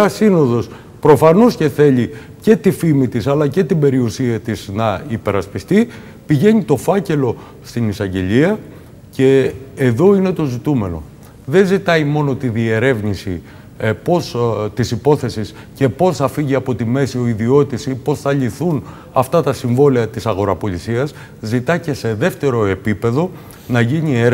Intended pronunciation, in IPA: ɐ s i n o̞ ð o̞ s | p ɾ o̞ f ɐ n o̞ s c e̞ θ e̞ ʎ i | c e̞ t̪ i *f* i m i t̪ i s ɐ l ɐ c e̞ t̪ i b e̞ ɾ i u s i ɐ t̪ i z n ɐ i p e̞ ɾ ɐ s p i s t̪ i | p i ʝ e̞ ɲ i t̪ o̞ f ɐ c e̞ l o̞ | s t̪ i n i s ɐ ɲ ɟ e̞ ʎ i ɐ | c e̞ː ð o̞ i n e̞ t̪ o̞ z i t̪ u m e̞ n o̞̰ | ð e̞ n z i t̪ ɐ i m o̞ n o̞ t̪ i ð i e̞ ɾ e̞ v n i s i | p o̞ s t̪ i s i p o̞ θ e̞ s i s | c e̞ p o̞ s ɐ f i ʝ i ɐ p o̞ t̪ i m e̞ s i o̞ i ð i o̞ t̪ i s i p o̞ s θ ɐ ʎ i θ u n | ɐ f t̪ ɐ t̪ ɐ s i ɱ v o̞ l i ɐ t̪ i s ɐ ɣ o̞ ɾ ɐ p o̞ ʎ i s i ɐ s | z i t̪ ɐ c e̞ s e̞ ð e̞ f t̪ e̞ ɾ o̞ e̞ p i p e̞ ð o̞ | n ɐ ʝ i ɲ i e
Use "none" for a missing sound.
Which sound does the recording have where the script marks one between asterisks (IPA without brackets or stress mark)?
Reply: f